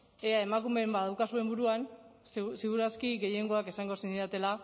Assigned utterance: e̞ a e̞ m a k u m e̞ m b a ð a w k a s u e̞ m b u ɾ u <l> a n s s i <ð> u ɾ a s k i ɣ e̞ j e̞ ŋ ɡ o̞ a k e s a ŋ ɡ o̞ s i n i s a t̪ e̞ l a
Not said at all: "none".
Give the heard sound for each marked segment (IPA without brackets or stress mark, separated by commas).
none, ɣ